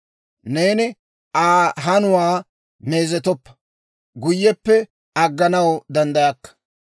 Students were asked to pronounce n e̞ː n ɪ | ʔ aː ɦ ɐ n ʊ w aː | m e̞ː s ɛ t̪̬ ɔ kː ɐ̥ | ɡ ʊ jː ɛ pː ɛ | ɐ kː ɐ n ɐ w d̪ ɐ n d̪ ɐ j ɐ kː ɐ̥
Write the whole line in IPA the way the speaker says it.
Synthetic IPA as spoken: n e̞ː n ɪ | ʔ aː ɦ ɐ n ʊ w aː | m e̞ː z ɛ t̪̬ ɔ pː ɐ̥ | ɡ ʊ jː ɛ pː ɛ | ɐ ɡː ɐ n ɐ w d̪ ɐ n d̪ ɐ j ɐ kː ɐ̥